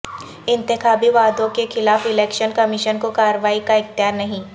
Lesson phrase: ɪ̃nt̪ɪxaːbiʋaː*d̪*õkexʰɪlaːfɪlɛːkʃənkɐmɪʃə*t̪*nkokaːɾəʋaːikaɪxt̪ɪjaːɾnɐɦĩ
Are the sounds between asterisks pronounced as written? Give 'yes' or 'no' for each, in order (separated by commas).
yes, no